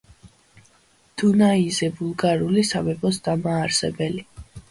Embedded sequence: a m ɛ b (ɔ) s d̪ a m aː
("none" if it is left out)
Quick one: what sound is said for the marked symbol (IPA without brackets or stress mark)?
ɔ